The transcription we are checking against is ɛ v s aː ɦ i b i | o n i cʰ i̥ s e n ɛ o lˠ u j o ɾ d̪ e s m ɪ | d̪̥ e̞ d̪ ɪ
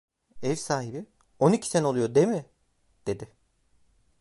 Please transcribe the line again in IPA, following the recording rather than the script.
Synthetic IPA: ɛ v s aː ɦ i b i | o n i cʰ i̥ s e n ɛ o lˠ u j o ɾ d̪ e m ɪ | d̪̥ e̞ d̪ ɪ